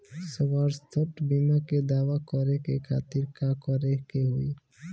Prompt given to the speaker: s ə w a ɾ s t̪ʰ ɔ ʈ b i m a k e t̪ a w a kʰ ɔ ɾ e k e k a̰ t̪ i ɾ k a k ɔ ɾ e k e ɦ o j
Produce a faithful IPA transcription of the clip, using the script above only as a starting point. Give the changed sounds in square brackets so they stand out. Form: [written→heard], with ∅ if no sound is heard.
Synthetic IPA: s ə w a ɾ s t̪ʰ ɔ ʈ b i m a k e [t̪→d̪] a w a [kʰ→k] ɔ ɾ e k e [k→kʰ] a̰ t̪ i ɾ k a k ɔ ɾ e k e ɦ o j